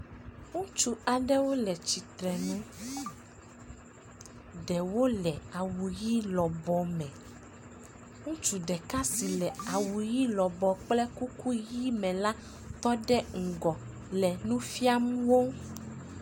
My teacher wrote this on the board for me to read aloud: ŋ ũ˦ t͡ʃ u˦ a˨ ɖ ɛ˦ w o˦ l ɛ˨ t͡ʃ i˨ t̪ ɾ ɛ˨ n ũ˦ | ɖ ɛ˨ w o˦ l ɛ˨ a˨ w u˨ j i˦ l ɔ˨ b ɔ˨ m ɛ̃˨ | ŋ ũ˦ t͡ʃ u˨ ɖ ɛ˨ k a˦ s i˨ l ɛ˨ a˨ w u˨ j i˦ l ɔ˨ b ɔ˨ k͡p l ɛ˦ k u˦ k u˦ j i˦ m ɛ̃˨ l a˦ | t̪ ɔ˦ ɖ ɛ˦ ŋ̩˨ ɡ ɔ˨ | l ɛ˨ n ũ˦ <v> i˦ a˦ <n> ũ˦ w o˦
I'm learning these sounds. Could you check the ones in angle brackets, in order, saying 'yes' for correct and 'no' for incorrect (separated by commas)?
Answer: no, no